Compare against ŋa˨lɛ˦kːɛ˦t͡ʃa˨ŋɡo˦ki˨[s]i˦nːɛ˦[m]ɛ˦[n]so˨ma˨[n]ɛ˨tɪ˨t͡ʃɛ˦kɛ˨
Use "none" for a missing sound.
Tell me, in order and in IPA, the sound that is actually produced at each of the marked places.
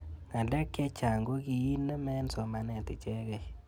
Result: none, m, n, n

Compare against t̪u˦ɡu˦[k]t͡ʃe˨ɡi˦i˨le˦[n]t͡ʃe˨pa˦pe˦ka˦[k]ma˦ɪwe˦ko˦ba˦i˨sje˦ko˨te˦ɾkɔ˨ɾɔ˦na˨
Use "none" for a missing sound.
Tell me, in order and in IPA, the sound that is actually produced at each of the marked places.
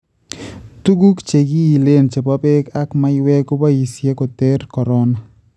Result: k, n, k

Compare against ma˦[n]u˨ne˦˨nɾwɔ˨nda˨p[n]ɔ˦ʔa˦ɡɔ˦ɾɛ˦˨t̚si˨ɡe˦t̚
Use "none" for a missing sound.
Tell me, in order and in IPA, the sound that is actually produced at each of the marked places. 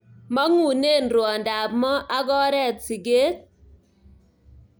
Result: ŋ, m

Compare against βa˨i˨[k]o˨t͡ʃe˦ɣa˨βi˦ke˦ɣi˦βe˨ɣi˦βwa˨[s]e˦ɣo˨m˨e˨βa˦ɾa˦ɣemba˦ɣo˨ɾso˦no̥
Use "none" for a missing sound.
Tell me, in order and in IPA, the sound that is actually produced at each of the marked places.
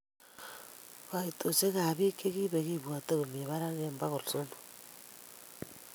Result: t, t

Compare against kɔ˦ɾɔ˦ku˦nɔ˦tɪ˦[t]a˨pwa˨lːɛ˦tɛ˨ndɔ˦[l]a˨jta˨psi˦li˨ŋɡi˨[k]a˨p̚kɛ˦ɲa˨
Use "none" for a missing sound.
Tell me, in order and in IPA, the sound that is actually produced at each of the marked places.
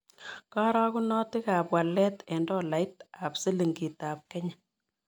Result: k, l, t

